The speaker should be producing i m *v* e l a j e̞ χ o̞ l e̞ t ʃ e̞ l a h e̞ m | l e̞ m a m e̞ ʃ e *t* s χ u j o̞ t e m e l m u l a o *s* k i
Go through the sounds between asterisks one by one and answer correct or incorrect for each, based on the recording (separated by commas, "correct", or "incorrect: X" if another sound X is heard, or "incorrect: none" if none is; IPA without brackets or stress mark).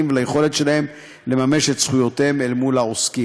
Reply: correct, correct, correct